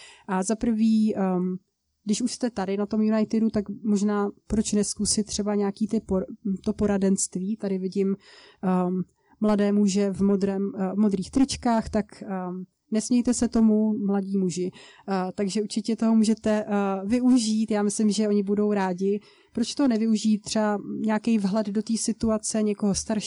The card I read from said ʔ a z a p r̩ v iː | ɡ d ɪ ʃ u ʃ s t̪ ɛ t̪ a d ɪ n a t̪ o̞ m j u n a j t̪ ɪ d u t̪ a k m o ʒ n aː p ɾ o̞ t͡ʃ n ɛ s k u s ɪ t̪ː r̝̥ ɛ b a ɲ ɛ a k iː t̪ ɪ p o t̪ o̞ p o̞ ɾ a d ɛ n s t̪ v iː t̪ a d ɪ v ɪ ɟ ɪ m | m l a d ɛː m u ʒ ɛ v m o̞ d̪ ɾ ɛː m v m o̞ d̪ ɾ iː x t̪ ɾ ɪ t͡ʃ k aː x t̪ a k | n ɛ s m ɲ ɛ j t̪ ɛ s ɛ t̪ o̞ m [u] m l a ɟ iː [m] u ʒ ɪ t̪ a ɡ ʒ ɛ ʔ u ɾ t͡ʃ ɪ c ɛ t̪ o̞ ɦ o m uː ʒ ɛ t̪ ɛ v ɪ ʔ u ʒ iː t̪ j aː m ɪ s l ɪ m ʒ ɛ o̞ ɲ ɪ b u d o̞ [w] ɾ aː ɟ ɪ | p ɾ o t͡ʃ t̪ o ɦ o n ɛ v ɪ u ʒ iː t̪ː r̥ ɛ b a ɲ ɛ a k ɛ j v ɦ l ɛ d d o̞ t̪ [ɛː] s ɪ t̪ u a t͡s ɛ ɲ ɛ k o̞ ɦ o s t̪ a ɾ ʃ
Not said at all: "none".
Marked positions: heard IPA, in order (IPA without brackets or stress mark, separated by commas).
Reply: u, m, w, iː